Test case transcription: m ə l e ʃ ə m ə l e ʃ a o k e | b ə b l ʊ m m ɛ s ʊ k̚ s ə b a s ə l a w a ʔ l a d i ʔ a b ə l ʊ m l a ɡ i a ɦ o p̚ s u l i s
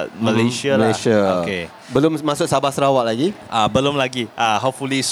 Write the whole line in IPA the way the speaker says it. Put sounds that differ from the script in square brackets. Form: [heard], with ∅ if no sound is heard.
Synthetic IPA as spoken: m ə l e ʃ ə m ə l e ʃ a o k e | b ə [∅] l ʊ m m [a] s ʊ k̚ s [a] b a s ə [ɾ] a w a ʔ l a [ɡ] i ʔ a b ə l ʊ m l a ɡ i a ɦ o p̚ [f] u l i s